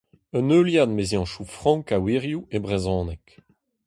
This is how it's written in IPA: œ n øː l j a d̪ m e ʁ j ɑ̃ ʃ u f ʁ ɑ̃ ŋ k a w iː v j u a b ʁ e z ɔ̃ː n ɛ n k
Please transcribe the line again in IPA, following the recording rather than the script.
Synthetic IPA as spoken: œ n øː l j a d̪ m e z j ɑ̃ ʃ u f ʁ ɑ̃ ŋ k a w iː ʁ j u e b ʁ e z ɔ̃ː n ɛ k